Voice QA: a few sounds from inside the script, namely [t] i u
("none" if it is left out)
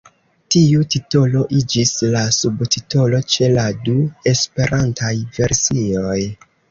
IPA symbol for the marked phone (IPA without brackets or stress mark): t